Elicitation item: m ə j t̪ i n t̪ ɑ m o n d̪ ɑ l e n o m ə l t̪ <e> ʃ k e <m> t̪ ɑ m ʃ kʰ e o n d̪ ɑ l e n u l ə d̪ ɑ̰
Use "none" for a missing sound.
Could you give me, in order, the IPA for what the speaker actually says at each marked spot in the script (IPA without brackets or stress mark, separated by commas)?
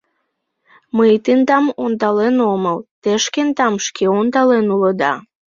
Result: e, n